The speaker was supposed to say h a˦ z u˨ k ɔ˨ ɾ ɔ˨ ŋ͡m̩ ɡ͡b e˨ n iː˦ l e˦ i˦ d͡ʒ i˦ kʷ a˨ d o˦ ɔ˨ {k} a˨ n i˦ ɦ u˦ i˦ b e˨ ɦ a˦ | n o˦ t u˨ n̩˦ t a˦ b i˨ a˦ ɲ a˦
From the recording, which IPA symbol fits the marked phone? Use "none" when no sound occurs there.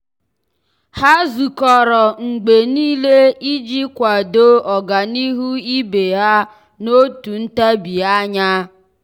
ɡ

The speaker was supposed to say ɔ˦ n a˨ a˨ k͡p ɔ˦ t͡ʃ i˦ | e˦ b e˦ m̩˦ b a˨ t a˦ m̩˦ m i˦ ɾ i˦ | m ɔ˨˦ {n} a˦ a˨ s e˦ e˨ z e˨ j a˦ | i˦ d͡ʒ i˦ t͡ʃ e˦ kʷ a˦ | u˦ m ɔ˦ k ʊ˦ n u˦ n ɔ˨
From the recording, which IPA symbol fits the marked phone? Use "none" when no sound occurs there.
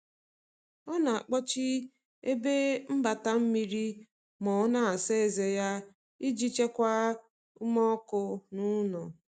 n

